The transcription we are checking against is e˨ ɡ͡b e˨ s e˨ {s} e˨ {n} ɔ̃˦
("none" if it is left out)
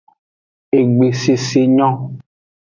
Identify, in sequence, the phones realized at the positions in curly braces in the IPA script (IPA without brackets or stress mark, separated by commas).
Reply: s, ɲ